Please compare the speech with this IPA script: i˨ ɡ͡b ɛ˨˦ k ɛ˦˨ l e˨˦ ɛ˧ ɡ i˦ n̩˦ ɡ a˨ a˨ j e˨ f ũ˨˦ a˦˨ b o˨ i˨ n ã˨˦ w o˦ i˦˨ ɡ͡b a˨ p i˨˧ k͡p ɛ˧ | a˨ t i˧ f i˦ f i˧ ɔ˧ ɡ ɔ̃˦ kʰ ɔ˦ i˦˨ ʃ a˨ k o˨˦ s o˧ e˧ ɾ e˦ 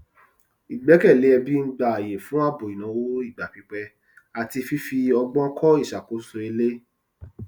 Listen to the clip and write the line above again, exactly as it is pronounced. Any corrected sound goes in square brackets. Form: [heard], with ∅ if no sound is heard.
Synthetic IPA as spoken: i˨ ɡ͡b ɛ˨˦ k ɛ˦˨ l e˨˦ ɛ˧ [b] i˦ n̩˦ [ɡ͡b] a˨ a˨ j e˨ f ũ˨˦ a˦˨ b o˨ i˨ n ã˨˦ w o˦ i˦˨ ɡ͡b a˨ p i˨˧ k͡p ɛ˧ | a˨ t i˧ f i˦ f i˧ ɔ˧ [ɡ͡b] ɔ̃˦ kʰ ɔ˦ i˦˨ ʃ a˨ k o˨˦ s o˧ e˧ [l] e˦